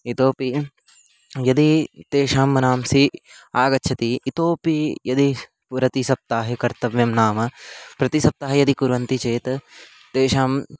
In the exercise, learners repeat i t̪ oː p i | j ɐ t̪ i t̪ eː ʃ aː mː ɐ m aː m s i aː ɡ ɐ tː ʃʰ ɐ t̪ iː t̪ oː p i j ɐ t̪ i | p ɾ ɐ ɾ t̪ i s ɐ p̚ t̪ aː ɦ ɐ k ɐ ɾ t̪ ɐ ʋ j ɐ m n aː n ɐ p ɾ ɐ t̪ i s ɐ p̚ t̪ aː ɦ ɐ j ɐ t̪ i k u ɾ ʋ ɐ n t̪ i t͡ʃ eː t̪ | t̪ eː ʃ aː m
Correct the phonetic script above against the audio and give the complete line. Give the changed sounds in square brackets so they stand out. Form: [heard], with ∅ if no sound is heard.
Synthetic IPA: i t̪ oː p i | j ɐ [d̪] i t̪ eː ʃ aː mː ɐ [n] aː m s i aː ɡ ɐ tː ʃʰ ɐ t̪ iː t̪ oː p i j ɐ [d̪] i | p ɾ ɐ [∅] t̪ i s ɐ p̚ t̪ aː ɦ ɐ k ɐ ɾ t̪ ɐ ʋ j ɐ m n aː [m] ɐ p ɾ ɐ t̪ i s ɐ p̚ t̪ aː ɦ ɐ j ɐ [d̪] i k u ɾ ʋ ɐ n t̪ i t͡ʃ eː t̪ | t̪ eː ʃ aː m

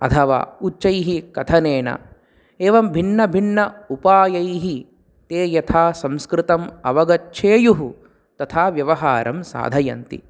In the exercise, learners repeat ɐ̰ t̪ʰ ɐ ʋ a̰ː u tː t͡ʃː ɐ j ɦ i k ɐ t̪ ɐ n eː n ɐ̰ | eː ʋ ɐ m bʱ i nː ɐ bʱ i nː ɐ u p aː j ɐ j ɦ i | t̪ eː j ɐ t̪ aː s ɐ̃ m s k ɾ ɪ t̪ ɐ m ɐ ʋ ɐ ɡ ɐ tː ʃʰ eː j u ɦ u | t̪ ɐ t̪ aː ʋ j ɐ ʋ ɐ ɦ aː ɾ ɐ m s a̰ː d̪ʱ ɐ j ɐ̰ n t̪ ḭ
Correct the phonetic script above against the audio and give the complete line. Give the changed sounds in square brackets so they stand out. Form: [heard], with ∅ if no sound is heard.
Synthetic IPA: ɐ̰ t̪ʰ ɐ ʋ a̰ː u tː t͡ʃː ɐ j ɦ i k ɐ [t̪ʰ] ɐ n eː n ɐ̰ | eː ʋ ɐ m bʱ i nː ɐ bʱ i nː ɐ u p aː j ɐ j ɦ i | t̪ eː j ɐ [t̪ʰ] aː s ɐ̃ m s k ɾ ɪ t̪ ɐ m ɐ ʋ ɐ ɡ ɐ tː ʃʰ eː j u ɦ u | t̪ ɐ [t̪ʰ] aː ʋ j ɐ ʋ ɐ ɦ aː ɾ ɐ m s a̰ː d̪ʱ ɐ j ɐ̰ n t̪ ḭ

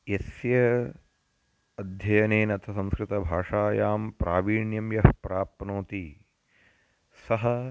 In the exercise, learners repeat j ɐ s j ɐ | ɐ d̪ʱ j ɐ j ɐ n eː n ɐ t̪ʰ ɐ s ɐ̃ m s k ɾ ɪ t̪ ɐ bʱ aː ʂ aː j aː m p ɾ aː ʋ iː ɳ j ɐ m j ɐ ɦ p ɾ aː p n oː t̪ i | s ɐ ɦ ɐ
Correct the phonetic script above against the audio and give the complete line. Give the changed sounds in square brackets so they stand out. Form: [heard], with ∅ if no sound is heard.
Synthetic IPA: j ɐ s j ɐ | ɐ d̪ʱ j ɐ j ɐ n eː n ɐ t̪ʰ ɐ s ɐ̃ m s k ɾ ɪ t̪ ɐ bʱ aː ʂ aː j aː m p ɾ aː ʋ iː ɳ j ɐ m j ɐ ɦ p ɾ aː p n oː t̪ i | s ɐ ɦ ɐ

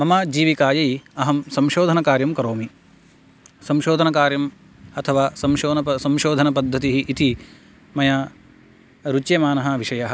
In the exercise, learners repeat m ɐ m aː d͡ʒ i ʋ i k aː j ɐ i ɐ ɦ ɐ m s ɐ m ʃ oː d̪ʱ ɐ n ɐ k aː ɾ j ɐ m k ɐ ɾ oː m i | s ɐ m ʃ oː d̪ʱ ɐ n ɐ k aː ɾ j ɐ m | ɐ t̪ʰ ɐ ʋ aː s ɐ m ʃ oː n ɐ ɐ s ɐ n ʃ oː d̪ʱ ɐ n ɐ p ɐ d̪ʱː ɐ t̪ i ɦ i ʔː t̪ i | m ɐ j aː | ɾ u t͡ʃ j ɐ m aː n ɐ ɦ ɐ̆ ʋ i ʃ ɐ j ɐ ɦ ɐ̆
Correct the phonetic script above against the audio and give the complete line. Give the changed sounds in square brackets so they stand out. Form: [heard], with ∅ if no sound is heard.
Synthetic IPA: m ɐ m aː d͡ʒ [iː] ʋ i k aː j ɐ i ɐ ɦ ɐ m s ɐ m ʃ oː d̪ʱ ɐ n ɐ k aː ɾ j ɐ m k ɐ ɾ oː m i | s ɐ m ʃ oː d̪ʱ ɐ n ɐ k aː ɾ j ɐ m | ɐ t̪ʰ ɐ ʋ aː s ɐ m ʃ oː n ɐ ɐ s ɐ [m] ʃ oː d̪ʱ ɐ n ɐ p ɐ d̪ʱː ɐ t̪ i ɦ i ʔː t̪ i | m ɐ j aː | ɾ u t͡ʃ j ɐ m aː n ɐ ɦ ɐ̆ ʋ i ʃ ɐ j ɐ ɦ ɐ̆

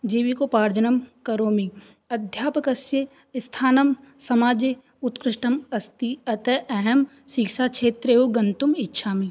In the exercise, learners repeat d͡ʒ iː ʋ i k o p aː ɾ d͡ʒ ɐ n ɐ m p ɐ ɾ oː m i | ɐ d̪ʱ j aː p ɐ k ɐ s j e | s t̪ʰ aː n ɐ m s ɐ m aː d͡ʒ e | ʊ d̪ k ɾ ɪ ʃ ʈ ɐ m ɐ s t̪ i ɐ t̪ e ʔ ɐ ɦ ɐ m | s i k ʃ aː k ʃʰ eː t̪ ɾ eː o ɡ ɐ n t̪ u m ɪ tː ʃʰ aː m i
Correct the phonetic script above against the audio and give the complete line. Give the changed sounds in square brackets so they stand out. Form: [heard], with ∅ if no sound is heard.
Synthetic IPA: d͡ʒ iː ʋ i k o p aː ɾ d͡ʒ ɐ n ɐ m [k] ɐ ɾ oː m i | ɐ d̪ʱ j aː p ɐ k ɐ s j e | s t̪ʰ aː n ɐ m s ɐ m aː d͡ʒ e | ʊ [t̪] k ɾ ɪ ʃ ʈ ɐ m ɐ s t̪ i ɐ t̪ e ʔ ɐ ɦ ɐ m | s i k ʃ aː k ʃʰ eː t̪ ɾ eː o ɡ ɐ n t̪ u m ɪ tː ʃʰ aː m i

